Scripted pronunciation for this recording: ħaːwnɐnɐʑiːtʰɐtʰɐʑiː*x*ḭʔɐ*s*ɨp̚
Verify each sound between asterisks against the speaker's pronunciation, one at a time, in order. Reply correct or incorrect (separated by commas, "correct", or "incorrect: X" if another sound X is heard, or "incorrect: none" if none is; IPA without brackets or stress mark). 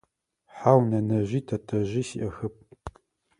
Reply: incorrect: s, incorrect: x